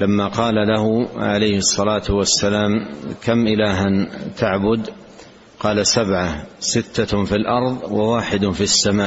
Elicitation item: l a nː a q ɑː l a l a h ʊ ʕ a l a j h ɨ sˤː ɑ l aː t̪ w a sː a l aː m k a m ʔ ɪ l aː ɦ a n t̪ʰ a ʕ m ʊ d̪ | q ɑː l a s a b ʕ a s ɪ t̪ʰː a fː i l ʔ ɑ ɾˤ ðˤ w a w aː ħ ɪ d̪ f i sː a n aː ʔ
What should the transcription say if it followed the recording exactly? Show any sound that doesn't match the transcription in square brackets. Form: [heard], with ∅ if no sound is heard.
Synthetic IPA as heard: l a [mː] a q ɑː l a l a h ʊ ʕ a l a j h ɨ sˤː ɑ l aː t̪ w a sː a l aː m k a m ʔ ɪ l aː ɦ a n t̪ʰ a ʕ [b] ʊ d̪ | q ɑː l a s a b ʕ a s ɪ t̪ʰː a [f] i l ʔ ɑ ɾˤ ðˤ w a w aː ħ ɪ d̪ f i sː a [m] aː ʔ